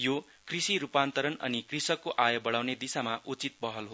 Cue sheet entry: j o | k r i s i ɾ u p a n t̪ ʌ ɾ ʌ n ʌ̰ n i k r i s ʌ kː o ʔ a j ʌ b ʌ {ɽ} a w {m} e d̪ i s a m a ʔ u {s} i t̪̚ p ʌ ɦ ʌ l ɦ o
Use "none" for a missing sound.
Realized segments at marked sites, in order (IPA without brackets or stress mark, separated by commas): ɽ, n, t͡s